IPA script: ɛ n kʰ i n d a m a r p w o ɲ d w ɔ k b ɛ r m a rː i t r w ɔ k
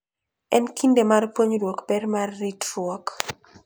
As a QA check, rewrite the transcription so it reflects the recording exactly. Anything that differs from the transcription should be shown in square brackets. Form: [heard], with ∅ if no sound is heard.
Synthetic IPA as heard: ɛ n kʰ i n d [e] m a r p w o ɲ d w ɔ k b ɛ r m a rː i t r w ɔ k

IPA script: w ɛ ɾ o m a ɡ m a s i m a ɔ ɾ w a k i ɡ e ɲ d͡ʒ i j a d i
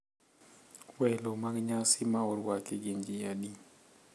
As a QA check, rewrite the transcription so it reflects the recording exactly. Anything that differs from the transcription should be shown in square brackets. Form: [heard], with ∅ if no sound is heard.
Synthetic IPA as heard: w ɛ [l] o m a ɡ [ɲ] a s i m a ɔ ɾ w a k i ɡ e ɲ d͡ʒ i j a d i

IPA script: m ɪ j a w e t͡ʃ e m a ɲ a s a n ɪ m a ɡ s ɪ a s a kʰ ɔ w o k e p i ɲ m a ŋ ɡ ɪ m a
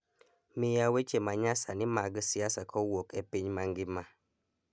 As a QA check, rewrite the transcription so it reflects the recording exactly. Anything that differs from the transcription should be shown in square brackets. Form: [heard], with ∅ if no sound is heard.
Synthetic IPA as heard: m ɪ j a w e t͡ʃ e m a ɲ a s a n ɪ m a ɡ s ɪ a s a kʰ ɔ w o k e p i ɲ m a ŋ ɡ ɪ m a

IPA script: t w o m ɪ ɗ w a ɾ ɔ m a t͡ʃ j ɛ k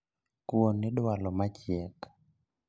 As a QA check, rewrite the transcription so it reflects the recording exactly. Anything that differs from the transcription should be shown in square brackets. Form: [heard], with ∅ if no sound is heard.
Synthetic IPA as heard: [k] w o [n] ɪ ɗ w a [l] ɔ m a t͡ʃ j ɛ k

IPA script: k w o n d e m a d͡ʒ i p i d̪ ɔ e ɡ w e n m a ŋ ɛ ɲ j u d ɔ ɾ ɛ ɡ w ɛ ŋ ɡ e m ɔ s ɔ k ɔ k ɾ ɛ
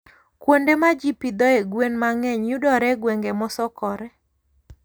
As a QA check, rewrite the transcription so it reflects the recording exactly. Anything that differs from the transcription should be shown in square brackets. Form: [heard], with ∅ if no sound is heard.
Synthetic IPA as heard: k w o n d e m a d͡ʒ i p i d̪ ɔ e ɡ w e n m a ŋ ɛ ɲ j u d ɔ ɾ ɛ ɡ w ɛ ŋ ɡ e m ɔ s ɔ k ɔ [∅] ɾ ɛ

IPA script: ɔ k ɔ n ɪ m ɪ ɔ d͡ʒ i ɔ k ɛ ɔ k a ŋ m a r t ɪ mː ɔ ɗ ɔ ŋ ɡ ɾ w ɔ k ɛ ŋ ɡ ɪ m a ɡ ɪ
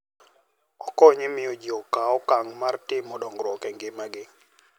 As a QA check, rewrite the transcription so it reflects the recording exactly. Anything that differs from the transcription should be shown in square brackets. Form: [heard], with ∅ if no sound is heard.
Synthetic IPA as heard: ɔ k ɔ [ɲ] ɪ m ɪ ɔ d͡ʒ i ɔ k [a] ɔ k a ŋ m a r t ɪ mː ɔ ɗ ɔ ŋ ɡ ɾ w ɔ k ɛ ŋ ɡ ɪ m a ɡ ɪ

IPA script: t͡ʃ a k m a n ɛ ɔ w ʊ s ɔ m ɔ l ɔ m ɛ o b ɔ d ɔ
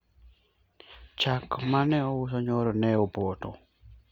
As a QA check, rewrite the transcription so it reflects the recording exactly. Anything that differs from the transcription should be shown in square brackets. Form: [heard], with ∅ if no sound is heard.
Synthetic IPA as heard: t͡ʃ a k m a n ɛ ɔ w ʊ s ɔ [ɲ] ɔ [ɾ] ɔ [n] ɛ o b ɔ [t] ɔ

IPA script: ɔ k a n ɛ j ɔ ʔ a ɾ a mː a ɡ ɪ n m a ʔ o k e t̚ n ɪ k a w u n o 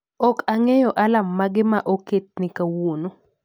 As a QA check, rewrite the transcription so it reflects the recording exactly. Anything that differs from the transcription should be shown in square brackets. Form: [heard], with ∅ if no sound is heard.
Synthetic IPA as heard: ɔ k a [ŋ] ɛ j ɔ ʔ a [l] a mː a ɡ ɪ [∅] m a ʔ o k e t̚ n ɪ k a w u n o

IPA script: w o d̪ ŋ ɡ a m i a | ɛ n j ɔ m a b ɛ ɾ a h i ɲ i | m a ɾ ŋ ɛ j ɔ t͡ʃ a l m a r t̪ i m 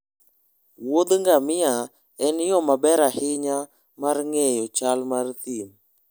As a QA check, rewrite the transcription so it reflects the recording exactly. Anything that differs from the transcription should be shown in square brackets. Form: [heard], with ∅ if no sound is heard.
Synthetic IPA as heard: w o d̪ ŋ ɡ a m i a | ɛ n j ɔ m a b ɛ ɾ a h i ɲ [a] | m a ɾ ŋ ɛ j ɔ t͡ʃ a l m a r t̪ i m

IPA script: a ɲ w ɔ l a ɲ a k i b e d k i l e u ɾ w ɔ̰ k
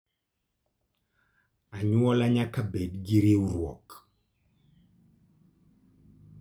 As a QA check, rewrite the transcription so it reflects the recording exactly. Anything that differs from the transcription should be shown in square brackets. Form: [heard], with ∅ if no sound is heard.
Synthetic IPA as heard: a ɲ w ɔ l a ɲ a k [a] b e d [ɡ] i [ɾ] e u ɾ w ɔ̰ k

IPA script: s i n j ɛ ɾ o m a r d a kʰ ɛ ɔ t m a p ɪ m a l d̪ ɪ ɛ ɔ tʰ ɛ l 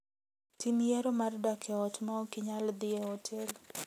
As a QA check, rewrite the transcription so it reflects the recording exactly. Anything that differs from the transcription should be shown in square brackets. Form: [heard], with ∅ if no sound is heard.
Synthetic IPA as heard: [t] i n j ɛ ɾ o m a r d a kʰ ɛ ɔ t m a [k] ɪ [ɲ] a l d̪ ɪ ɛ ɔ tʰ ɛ l

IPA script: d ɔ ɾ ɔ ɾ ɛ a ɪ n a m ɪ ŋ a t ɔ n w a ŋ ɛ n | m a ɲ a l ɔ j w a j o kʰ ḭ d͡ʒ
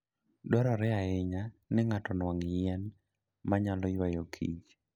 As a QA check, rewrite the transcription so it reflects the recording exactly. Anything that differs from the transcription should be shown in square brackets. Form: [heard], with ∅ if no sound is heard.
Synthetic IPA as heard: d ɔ ɾ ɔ ɾ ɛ a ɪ [ɲ] a [n] ɪ ŋ a t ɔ n w a ŋ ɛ n | m a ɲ a l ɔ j w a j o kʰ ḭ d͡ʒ

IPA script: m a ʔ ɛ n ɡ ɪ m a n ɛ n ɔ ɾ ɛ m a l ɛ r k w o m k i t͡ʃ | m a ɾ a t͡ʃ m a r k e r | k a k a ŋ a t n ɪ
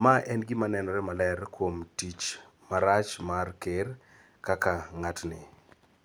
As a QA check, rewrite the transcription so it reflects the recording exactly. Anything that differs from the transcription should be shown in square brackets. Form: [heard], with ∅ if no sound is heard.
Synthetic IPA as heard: m a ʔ ɛ n ɡ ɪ m a n ɛ n ɔ ɾ ɛ m a l ɛ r k w o m [t] i t͡ʃ | m a ɾ a t͡ʃ m a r k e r | k a k a ŋ a t n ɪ

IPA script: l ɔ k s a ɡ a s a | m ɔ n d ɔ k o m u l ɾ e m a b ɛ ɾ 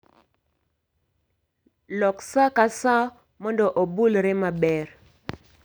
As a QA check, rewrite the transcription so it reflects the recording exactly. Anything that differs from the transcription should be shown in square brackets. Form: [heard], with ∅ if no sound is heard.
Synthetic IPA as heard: l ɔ k s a [k] a s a | m ɔ n d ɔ [ʔ] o [b] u l ɾ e m a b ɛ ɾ

